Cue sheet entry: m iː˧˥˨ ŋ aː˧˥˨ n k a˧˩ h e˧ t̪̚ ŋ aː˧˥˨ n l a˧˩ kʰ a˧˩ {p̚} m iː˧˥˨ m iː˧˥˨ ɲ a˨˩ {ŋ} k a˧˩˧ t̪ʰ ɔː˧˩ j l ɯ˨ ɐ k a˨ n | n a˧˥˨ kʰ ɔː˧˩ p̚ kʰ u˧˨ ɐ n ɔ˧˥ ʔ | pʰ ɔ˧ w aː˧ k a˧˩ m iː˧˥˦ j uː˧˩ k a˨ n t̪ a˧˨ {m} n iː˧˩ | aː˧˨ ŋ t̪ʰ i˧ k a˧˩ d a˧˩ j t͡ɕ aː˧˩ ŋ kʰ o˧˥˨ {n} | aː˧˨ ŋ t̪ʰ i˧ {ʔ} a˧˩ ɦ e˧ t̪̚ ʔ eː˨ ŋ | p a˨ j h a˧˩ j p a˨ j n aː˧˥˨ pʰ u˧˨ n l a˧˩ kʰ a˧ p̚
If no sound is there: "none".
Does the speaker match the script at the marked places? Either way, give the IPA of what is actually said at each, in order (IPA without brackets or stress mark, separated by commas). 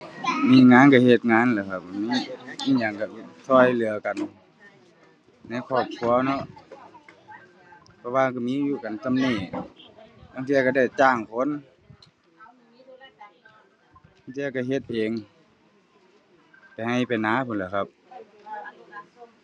p̚, ŋ, m, n, k